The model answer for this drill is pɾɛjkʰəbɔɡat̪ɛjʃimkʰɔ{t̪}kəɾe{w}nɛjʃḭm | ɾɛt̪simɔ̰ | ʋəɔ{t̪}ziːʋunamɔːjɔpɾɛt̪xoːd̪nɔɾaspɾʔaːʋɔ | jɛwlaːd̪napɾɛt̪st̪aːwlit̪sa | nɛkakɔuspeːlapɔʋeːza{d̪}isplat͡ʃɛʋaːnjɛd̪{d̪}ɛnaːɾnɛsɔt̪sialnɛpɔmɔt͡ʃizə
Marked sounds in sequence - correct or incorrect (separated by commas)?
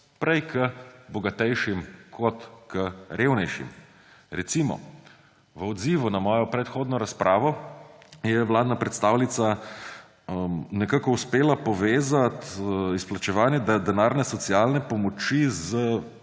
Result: correct, correct, incorrect, incorrect, correct